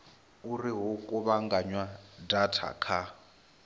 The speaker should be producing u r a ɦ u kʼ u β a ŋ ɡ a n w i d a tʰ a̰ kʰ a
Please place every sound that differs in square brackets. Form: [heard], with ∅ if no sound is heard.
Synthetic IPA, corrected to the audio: u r [i] ɦ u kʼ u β a ŋ ɡ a [ɲ] w [a] d a tʰ a̰ kʰ a